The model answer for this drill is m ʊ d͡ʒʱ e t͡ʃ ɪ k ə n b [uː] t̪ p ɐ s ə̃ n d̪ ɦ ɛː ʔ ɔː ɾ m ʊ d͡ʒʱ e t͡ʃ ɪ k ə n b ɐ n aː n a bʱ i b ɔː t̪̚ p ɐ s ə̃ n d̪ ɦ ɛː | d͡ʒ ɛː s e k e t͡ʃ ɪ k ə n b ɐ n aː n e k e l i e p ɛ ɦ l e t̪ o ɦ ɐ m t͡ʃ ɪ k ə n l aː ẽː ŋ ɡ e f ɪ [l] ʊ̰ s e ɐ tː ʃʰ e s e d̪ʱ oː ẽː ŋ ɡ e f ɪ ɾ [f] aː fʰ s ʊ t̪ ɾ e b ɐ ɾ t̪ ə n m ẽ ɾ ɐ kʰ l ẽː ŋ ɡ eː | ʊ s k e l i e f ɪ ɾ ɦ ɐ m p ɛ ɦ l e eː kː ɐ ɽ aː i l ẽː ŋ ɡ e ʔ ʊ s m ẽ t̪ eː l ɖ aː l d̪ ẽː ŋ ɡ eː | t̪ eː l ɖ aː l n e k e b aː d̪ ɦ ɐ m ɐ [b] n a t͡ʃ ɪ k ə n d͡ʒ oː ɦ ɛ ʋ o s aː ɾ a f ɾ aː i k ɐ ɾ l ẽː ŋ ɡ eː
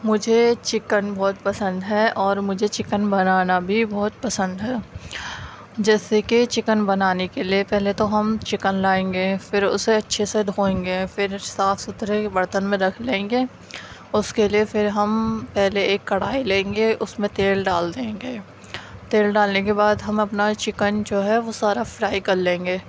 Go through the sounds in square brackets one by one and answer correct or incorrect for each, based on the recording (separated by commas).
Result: incorrect, incorrect, incorrect, incorrect